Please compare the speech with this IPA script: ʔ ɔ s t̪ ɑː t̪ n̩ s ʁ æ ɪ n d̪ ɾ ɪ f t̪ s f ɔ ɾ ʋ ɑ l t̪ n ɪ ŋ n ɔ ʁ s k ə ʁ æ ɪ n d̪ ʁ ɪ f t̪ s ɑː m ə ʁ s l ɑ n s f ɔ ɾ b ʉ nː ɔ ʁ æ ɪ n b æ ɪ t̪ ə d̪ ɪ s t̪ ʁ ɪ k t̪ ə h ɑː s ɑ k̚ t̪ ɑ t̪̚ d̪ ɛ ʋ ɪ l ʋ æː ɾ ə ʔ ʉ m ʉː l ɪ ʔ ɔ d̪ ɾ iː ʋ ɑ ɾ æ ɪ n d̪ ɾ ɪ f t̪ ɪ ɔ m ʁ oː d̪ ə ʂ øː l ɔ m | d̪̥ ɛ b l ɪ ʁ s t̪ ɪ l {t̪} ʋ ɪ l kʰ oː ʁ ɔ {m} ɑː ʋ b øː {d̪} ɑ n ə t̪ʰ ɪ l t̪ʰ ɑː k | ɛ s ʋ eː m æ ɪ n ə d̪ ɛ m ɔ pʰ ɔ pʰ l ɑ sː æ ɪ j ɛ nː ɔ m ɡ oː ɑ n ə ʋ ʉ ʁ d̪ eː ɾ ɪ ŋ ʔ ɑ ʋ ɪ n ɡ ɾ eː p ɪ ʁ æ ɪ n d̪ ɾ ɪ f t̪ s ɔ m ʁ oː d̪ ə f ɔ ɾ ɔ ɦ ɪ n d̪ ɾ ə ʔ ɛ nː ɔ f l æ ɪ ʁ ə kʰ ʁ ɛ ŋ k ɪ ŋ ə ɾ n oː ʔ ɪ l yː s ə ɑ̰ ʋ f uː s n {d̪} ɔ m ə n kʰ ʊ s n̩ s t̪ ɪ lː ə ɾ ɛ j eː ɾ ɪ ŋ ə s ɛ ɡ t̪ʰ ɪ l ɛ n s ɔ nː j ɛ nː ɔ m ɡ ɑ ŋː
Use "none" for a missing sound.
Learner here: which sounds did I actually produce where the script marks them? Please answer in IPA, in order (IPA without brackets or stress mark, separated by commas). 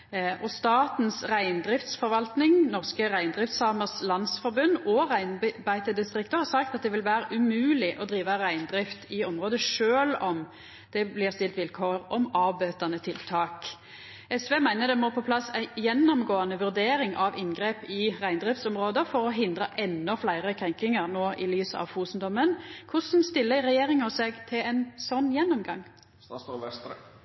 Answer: t̪, m, t̪, d̪